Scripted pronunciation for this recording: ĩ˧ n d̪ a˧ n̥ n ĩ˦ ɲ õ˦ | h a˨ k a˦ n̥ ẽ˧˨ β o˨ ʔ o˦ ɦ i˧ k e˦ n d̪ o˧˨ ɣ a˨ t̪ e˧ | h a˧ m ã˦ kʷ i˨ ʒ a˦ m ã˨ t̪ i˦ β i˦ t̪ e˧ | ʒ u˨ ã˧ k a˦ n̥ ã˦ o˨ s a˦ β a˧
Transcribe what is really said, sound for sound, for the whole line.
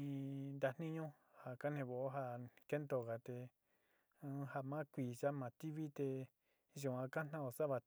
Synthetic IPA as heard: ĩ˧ n d̪ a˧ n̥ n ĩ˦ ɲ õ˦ | h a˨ k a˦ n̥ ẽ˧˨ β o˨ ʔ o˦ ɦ a˧ k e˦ n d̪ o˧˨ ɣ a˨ t̪ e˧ | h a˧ m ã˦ kʷ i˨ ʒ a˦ m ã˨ t̪ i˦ β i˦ t̪ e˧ | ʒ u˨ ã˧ k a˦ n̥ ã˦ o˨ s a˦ β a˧